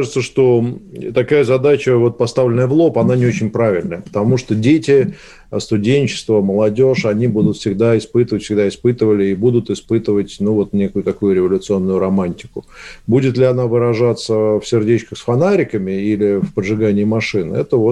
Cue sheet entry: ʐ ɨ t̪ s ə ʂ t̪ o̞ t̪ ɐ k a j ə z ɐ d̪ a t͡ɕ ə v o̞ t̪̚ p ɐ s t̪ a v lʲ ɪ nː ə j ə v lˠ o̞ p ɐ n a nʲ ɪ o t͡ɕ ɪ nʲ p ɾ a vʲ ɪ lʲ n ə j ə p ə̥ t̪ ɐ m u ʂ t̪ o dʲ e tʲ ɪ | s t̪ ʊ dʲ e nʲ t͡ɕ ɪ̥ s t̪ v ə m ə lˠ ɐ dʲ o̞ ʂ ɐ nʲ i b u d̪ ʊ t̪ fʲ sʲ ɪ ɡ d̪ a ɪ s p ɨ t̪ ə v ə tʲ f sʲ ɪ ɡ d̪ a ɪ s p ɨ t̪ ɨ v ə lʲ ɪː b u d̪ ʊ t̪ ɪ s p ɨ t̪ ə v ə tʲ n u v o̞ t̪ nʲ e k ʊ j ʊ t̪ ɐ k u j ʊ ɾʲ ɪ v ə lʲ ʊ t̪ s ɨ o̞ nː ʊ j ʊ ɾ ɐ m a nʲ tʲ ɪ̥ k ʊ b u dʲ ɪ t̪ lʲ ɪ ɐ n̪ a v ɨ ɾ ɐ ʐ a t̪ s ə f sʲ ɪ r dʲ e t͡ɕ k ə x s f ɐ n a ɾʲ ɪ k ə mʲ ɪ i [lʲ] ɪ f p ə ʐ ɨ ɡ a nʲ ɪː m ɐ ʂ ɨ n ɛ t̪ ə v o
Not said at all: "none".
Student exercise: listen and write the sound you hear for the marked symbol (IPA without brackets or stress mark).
lʲ